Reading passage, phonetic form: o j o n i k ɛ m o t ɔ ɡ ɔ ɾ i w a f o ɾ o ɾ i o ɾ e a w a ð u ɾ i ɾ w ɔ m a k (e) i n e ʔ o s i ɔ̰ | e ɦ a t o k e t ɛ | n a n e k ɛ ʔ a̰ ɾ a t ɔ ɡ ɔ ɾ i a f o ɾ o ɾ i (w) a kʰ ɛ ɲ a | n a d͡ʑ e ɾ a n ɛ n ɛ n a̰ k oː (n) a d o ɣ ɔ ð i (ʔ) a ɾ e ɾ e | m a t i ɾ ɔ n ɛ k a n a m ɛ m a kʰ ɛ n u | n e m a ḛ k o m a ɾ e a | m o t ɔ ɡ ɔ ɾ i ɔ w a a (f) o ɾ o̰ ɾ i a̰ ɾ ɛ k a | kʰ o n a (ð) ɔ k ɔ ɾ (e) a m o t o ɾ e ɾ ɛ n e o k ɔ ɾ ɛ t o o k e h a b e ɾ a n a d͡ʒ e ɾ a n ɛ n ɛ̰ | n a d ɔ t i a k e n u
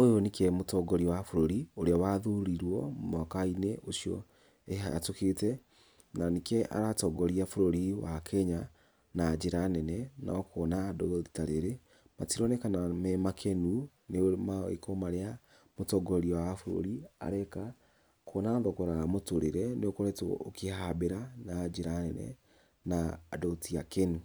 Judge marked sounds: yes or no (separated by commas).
no, yes, yes, no, yes, yes, no